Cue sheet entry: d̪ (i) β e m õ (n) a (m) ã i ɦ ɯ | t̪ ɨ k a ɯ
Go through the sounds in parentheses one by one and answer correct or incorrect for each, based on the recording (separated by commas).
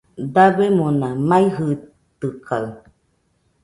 incorrect, correct, correct